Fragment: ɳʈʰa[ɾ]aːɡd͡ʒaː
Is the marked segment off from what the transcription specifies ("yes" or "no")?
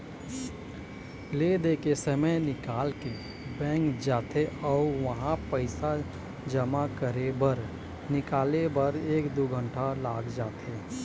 yes